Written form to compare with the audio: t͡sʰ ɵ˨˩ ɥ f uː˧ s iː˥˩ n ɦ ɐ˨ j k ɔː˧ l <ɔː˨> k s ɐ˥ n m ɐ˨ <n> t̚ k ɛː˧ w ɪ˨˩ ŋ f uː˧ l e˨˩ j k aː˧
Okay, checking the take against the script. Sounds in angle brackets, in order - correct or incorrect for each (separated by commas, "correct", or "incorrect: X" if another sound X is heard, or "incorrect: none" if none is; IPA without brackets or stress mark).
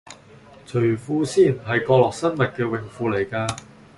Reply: correct, incorrect: none